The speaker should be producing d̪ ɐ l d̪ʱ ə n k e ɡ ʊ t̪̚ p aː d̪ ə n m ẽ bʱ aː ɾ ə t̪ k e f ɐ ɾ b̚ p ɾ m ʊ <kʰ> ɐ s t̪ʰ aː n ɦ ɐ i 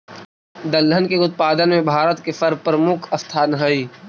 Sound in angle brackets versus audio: correct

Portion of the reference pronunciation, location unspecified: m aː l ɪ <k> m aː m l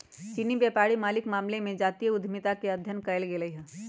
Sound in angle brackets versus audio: correct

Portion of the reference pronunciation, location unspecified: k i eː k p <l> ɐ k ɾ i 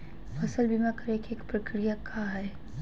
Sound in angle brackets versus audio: incorrect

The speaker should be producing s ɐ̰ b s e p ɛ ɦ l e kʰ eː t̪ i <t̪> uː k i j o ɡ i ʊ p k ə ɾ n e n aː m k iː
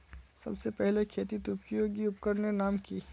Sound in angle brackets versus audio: correct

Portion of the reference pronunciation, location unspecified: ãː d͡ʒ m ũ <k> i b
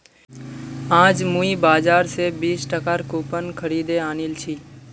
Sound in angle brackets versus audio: incorrect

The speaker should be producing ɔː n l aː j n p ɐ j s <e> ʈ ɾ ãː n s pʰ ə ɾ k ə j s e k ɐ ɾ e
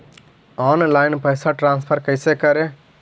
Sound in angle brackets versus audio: incorrect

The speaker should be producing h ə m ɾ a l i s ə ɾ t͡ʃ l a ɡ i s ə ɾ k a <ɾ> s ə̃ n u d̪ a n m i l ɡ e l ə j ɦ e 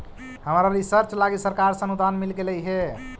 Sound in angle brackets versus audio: correct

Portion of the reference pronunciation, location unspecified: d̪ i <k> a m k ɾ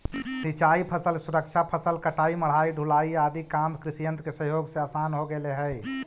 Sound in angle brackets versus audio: correct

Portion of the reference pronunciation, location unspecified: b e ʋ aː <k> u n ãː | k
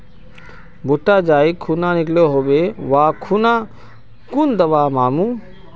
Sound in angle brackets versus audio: incorrect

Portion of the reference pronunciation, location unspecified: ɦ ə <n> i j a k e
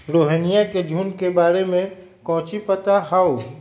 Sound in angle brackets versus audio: correct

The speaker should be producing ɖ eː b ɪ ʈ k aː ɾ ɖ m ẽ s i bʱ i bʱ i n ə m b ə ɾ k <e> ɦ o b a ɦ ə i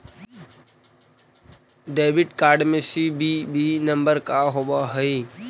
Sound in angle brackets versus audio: incorrect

